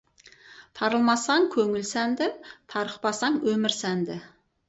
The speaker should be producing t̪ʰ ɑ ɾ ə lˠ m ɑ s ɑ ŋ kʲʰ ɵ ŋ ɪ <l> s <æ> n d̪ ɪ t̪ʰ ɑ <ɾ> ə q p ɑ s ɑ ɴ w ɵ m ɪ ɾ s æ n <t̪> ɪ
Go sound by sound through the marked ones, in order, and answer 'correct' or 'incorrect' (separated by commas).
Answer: correct, correct, correct, incorrect